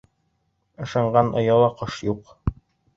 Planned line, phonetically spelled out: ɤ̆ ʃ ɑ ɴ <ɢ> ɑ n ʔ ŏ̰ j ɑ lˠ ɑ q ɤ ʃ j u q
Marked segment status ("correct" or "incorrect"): correct